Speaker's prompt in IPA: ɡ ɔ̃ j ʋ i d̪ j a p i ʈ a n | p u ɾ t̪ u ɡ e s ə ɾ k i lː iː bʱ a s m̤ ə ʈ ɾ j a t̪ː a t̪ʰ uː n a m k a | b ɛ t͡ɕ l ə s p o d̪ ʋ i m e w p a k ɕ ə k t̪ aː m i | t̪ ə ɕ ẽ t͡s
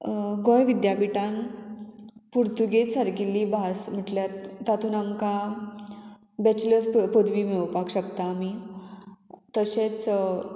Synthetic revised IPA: ɡ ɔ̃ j ʋ i d̪ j a p i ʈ a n | p u ɾ t̪ u ɡ e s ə ɾ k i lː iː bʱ a s m̤ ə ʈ l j a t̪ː a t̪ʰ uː n a m k a | b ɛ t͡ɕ l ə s p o d̪ ʋ i m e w p a k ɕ ə k t̪ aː m i | t̪ ə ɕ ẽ t͡s

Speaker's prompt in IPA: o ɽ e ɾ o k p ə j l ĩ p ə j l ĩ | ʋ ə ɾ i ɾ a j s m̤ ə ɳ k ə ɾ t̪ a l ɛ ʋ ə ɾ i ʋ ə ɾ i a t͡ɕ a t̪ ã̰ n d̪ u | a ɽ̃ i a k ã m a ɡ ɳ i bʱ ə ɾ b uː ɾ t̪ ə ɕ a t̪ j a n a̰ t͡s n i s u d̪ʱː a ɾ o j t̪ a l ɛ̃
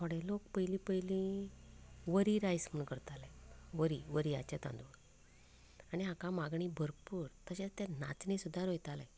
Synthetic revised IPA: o ɽ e l o k p ə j l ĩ p ə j l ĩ | ʋ ə ɾ i ɾ a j s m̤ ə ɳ k ə ɾ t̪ a l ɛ ʋ ə ɾ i ʋ ə ɾ i a t͡ɕ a t̪ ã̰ n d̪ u | a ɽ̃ i a k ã m a ɡ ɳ i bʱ ə ɾ p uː ɾ t̪ ə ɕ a t̪ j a n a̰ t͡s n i s u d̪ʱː a ɾ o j t̪ a l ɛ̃

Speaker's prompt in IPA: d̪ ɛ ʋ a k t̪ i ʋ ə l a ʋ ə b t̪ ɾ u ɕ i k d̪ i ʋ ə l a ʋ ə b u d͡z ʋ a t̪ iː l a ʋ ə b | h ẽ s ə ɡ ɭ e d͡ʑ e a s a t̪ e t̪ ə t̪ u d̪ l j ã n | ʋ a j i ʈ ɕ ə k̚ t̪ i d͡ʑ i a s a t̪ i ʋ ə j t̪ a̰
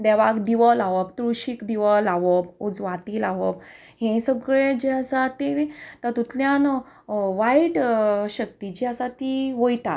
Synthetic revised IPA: d̪ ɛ ʋ a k d̪ i ʋ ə l a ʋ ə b t̪ ɾ u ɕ i k d̪ i ʋ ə l a ʋ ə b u d͡z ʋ a t̪ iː l a ʋ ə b | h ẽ s ə ɡ ɭ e d͡ʑ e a s a t̪ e t̪ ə t̪ u t̪ l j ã n | ʋ a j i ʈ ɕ ə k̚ t̪ i d͡ʑ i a s a t̪ i ʋ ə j t̪ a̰

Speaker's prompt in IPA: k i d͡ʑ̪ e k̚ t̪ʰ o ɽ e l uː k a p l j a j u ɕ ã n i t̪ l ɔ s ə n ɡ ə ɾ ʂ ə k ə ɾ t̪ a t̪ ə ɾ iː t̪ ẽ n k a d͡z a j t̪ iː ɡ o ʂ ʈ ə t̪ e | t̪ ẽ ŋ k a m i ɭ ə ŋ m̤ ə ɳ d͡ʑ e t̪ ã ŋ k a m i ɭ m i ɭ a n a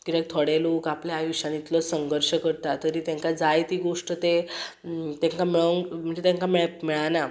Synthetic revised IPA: k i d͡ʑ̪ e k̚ t̪ʰ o ɽ e l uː k a p l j a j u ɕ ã n i t̪ l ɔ s ə ŋ ɡ ə ɾ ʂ ə k ə ɾ t̪ a t̪ ə ɾ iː t̪ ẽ ŋ k a d͡z a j t̪ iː ɡ o ʂ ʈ ə t̪ e | t̪ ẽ ŋ k a m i ɭ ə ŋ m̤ ə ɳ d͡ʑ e t̪ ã ŋ k a m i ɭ m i ɭ a n a

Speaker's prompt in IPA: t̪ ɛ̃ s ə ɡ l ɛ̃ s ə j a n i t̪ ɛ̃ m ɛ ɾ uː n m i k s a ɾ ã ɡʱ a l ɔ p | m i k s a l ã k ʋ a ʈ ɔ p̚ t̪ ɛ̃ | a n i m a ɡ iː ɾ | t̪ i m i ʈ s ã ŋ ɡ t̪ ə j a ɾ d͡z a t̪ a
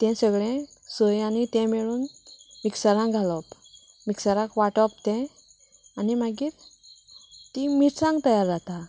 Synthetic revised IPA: t̪ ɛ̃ s ə ɡ ɭ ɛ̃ s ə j a n i t̪ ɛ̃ m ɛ ɭ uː n m i k s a ɾ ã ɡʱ a l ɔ p | m i k s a ɾ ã k ʋ a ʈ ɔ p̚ t̪ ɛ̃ | a n i m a ɡ iː ɾ | t̪ i m i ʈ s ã ŋ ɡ t̪ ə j a ɾ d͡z a t̪ a

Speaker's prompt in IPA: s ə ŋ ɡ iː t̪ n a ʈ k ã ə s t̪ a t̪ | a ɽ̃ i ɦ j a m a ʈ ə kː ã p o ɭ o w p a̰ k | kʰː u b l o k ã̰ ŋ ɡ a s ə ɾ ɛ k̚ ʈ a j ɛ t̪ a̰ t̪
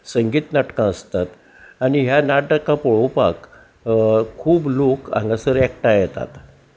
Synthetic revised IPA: s ə ŋ ɡ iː t̪ n a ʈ k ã ə s t̪ a t̪ | a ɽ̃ i ɦ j a n a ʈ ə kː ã p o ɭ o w p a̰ k | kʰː uː b l o k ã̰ ŋ ɡ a s ə ɾ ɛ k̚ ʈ a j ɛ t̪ a̰ t̪

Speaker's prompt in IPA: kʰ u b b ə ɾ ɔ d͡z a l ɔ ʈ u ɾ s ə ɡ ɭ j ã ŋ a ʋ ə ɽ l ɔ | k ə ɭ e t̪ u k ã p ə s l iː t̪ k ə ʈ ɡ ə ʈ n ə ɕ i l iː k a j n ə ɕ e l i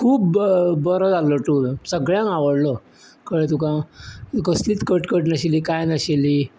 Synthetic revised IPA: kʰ uː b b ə ɾ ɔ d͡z a l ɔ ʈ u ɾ s ə ɡ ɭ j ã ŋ a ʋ ə ɽ l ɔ | k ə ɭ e t̪ u k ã k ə s l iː t̪ k ə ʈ k ə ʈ n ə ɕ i l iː k a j n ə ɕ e l i

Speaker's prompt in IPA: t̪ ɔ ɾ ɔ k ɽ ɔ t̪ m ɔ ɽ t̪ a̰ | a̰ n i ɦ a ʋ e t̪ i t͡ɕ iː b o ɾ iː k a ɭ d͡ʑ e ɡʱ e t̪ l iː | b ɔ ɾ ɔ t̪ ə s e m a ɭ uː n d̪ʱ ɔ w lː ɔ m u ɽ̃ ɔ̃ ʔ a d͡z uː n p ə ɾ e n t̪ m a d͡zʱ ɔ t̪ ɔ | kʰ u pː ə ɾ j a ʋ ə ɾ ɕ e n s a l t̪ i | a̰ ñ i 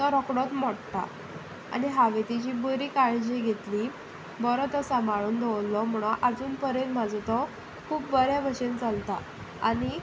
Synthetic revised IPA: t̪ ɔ ɾ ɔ k ɽ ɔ t̪ m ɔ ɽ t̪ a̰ | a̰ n i ɦ a ʋ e t̪ i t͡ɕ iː b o ɾ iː k a ɭ d͡ʑ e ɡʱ e t̪ l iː | b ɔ ɾ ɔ t̪ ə s a m a ɭ uː n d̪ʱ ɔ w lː ɔ m u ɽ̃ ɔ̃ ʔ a d͡z uː n p ə ɾ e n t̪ m a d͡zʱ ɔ t̪ ɔ | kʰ uː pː ə ɾ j a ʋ ə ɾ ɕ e n t͡s a l t̪ a | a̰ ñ i

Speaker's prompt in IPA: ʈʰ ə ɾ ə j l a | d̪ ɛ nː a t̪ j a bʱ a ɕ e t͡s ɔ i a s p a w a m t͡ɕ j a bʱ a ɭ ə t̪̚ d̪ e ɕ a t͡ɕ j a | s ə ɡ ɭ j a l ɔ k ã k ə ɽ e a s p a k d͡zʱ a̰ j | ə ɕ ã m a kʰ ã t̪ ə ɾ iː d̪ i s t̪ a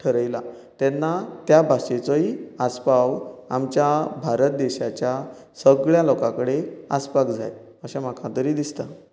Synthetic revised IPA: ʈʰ ə ɾ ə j l a | t̪ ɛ nː a t̪ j a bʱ a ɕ e t͡s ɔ i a s p a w a m t͡ɕ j a bʱ a ɾ ə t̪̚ d̪ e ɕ a t͡ɕ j a | s ə ɡ ɭ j a l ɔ k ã k ə ɽ e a s p a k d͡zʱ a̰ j | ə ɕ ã m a kʰ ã t̪ ə ɾ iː d̪ i s t̪ a

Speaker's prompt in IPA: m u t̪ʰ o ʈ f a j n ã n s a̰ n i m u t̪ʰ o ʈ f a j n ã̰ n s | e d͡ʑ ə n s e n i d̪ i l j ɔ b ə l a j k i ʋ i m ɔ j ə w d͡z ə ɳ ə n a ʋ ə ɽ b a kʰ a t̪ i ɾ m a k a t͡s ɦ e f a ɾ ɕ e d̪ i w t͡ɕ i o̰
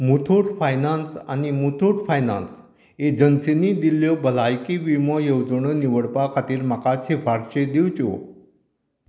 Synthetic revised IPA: m u t̪ʰ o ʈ f a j n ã n s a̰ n i m u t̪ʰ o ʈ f a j n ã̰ n s | e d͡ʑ ə n s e n i d̪ i l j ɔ b ə l a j k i ʋ i m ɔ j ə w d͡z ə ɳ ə n i ʋ ə ɽ p a kʰ a t̪ iː ɾ m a k a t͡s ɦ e f a ɾ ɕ e d̪ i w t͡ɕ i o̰

